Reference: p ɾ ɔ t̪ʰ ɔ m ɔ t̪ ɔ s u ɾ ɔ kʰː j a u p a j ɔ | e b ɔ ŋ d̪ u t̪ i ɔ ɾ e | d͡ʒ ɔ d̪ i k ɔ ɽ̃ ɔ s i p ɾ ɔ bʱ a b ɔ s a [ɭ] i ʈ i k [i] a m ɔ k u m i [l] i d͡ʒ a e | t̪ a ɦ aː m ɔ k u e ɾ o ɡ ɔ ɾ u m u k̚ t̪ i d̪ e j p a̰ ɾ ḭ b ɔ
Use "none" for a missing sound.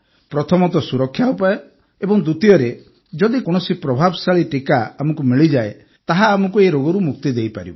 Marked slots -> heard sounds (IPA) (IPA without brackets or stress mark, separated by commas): ɭ, a, ɭ